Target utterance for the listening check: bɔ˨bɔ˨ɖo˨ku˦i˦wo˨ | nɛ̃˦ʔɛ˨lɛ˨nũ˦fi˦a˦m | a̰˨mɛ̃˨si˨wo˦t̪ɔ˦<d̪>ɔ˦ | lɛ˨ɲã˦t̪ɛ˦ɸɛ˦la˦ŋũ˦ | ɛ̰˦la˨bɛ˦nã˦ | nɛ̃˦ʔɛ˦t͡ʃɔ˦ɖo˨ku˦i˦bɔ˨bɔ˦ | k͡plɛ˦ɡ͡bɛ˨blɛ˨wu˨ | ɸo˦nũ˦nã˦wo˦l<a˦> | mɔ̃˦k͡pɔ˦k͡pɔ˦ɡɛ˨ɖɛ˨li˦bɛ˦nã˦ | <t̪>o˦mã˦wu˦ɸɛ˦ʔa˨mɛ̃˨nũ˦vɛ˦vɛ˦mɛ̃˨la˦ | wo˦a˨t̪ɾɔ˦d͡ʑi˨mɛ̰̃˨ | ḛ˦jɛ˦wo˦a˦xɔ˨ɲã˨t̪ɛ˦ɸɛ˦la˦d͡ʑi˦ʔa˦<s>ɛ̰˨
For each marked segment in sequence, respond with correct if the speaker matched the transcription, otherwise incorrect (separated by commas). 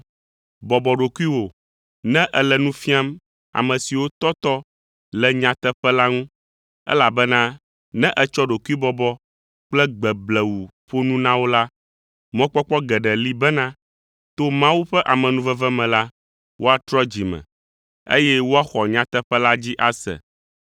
incorrect, correct, correct, correct